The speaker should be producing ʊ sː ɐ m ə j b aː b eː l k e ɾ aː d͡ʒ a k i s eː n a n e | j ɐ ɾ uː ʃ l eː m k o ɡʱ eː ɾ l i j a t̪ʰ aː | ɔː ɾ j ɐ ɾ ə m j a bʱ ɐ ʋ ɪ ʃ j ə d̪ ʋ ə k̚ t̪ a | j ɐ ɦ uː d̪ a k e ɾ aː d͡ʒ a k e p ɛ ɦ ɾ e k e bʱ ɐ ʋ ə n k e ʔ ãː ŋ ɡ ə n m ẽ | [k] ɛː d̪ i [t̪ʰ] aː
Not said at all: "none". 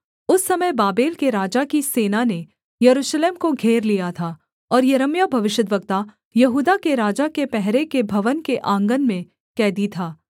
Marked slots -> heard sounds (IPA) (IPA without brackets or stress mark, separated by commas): k, t̪ʰ